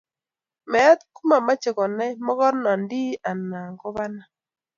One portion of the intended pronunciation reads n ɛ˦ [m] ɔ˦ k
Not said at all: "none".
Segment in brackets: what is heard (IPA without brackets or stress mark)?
m